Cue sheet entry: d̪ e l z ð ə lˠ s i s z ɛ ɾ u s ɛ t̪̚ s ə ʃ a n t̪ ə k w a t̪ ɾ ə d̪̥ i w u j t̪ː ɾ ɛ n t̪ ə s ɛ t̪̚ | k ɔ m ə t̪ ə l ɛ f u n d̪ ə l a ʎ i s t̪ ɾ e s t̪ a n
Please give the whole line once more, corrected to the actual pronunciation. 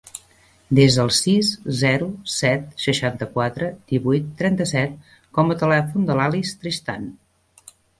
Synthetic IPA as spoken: d̪ e z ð ə lˠ s i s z ɛ ɾ u s ɛ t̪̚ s ə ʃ a n t̪ ə k w a t̪ ɾ ə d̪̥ i β u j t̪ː ɾ ɛ n t̪ ə s ɛ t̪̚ | k ɔ m ə t̪ ə l ɛ f u n d̪ ə l a l i s t̪ ɾ i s t̪ a n